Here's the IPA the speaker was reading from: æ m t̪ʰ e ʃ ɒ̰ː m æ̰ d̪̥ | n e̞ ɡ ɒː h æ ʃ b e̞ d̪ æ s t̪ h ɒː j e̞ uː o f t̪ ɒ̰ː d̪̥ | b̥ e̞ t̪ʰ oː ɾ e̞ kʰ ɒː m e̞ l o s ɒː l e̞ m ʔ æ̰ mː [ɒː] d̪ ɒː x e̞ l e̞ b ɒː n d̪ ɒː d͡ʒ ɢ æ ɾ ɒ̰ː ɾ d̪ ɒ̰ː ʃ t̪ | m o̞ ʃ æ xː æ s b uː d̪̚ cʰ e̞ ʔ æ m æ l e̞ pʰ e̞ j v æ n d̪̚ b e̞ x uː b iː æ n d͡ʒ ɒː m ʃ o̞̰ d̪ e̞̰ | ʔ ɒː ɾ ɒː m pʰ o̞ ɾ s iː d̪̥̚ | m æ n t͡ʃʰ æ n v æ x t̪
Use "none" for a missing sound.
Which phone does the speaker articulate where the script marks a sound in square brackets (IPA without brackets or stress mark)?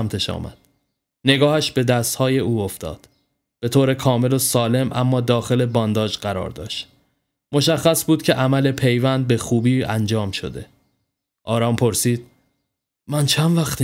ɒː